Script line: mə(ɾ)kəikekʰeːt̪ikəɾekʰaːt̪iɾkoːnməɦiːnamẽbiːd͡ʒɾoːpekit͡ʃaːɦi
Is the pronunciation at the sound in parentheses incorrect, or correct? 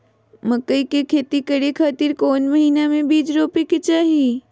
incorrect